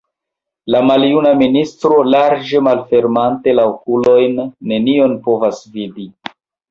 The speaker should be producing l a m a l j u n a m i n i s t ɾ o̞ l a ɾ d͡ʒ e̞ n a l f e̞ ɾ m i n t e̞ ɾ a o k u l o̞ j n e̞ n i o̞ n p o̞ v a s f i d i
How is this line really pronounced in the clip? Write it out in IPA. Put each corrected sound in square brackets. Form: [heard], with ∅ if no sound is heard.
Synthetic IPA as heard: l a m a l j u n a m i n i s t ɾ o̞ l a ɾ d͡ʒ e̞ [m] a l f e̞ ɾ m [a] n t e̞ [l] a o k u l o̞ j [nː] e̞ n i o̞ n p o̞ v a s [v] i d i